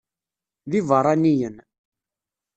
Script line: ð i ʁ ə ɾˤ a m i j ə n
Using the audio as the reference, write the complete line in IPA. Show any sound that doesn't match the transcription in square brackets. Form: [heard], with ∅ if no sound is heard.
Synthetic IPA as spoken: ð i [v] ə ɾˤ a [n] i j ə n